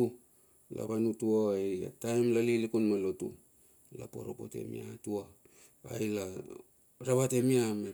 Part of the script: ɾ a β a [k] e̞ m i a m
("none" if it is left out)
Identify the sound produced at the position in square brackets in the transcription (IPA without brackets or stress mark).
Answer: t